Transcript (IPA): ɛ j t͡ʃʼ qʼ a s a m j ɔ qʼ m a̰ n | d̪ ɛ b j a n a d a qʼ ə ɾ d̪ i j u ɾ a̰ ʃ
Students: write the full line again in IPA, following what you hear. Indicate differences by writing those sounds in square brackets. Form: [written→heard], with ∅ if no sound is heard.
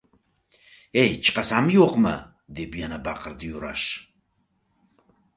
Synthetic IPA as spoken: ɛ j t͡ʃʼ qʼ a s a m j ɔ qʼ m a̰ [n→∅] | d̪ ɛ b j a n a [d→b] a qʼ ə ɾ d̪ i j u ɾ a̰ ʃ